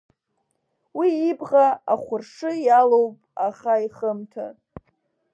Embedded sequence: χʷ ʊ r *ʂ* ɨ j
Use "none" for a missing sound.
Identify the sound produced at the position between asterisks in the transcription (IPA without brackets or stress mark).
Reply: ʂ